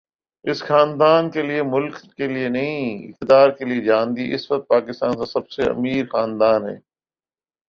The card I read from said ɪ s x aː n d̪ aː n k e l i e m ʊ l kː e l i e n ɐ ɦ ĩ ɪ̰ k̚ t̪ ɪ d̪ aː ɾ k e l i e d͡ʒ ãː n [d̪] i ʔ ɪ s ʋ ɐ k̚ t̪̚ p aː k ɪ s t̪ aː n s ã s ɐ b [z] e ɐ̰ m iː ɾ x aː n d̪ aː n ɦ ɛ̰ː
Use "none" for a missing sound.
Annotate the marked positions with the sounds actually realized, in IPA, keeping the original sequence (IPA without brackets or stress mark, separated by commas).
d̪, s